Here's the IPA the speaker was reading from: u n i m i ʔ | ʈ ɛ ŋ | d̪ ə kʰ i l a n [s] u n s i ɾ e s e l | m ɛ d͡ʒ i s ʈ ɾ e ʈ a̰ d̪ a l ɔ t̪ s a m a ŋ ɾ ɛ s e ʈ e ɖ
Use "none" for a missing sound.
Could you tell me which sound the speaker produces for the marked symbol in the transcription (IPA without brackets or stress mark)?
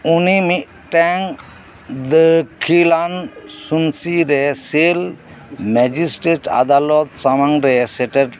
s